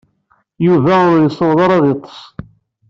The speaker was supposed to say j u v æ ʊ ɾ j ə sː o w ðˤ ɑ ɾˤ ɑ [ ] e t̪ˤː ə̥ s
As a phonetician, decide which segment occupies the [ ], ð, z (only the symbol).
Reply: ð